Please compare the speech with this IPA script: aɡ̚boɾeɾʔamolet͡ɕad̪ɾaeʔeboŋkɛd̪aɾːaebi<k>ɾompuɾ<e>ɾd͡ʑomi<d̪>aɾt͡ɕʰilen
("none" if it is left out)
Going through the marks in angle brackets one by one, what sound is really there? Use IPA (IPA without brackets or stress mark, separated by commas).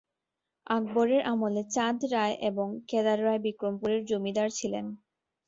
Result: k, e, d̪